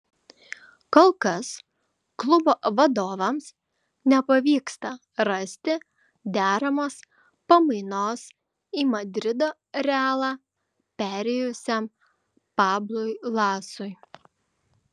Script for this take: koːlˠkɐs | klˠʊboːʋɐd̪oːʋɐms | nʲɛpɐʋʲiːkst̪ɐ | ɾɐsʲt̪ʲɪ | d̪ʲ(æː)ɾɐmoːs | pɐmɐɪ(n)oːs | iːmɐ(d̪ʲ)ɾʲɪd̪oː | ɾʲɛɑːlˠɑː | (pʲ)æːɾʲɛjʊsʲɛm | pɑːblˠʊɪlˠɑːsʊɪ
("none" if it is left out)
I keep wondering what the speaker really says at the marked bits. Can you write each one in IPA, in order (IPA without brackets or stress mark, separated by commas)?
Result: æː, n, d̪ʲ, pʲ